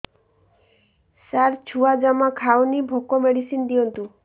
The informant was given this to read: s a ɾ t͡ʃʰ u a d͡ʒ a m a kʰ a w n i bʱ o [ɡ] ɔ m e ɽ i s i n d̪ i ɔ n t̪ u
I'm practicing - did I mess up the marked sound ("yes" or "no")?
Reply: yes